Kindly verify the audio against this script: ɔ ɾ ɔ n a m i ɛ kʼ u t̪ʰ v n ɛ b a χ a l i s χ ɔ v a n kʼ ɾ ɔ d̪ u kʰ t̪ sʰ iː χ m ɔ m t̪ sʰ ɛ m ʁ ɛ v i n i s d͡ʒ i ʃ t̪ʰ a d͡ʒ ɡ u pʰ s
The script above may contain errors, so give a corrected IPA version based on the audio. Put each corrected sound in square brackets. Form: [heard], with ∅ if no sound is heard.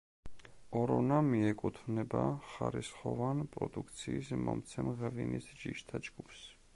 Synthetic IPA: ɔ ɾ ɔ n a m i ɛ kʼ u t̪ʰ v n ɛ b a χ a [ɾ] i s χ ɔ v a n [pʼ] ɾ ɔ d̪ u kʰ t̪ sʰ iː [s] m ɔ m t̪ sʰ ɛ m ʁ ɛ v i n i s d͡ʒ i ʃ t̪ʰ a d͡ʒ ɡ u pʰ s